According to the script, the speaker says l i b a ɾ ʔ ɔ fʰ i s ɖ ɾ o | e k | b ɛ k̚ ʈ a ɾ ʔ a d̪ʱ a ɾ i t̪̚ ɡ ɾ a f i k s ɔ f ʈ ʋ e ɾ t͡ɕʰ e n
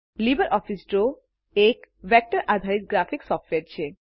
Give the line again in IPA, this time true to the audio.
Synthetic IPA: l i b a ɾ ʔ ɔ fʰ i s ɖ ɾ o | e k | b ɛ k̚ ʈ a ɾ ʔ a d̪ʱ a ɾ i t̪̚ ɡ ɾ a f i k s ɔ f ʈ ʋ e ɾ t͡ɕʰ e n